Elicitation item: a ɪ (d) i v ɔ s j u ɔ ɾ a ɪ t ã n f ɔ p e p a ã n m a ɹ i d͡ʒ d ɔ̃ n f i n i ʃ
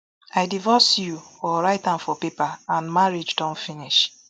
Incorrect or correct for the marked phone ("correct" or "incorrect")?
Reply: correct